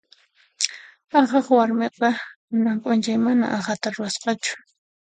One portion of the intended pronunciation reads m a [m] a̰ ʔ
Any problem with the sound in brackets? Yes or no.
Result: yes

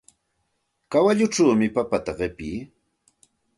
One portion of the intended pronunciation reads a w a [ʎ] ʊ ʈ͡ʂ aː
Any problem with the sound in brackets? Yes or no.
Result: no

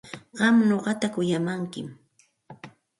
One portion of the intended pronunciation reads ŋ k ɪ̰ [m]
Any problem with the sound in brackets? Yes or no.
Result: no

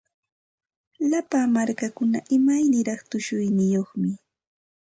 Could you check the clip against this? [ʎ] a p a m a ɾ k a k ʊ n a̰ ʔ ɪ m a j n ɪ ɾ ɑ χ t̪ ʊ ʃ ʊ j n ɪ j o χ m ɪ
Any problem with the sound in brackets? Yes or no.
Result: yes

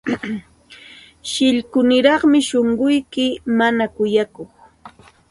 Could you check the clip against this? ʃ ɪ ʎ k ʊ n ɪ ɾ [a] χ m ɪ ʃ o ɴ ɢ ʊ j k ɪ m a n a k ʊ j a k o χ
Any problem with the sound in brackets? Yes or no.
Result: yes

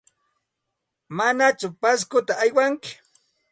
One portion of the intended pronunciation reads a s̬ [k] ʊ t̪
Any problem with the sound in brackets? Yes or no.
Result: no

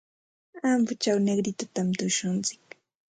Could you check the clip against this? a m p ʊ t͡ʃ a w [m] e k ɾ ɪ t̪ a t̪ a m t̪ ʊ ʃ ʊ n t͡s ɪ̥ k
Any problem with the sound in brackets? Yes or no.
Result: yes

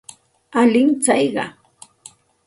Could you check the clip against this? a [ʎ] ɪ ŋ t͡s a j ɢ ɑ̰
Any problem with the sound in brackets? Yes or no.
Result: yes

